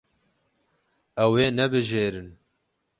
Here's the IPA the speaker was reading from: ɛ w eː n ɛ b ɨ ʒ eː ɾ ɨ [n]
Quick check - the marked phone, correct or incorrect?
correct